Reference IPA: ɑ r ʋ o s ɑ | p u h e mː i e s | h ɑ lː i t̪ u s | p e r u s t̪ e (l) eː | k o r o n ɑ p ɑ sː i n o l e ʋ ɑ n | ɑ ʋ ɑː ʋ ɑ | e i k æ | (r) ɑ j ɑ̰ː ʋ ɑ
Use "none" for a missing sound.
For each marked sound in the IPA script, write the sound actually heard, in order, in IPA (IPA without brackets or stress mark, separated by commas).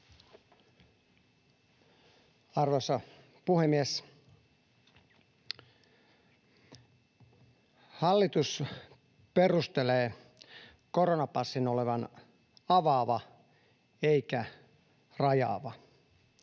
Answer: l, r